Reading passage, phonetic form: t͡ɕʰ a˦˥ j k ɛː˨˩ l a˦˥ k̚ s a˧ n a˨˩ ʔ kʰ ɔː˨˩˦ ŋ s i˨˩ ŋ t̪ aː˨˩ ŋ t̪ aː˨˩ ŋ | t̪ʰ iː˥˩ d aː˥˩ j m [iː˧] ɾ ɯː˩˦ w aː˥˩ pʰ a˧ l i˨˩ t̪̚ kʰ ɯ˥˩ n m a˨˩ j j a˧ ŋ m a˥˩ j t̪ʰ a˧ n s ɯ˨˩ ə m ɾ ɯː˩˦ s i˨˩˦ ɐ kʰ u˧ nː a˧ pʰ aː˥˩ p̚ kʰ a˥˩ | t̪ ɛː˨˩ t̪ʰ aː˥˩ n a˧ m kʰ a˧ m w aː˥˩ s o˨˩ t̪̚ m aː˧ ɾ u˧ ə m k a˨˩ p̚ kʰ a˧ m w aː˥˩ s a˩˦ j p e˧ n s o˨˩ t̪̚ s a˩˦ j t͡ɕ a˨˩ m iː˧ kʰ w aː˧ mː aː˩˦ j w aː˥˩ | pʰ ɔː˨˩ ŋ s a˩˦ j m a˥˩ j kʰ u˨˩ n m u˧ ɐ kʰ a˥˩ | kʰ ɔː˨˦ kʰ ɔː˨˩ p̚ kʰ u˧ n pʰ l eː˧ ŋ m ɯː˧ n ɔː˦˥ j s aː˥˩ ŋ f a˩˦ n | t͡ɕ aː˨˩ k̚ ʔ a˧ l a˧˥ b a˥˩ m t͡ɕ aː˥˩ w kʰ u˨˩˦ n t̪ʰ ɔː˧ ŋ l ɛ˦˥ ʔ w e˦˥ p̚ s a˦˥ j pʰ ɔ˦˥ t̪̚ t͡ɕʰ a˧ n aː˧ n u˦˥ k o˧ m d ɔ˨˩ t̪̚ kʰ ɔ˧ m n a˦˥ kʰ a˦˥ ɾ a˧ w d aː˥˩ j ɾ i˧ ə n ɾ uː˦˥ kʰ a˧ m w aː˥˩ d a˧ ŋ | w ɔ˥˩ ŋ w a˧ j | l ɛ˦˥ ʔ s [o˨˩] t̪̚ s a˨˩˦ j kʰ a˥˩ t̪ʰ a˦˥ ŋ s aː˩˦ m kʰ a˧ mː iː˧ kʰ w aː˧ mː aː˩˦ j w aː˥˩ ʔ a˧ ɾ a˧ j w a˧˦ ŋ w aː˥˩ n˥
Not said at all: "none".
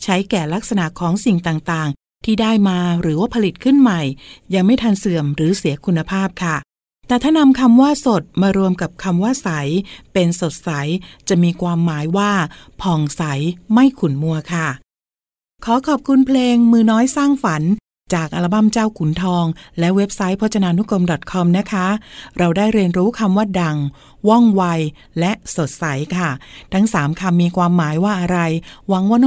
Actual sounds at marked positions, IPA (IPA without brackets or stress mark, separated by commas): aː˧, o˨˩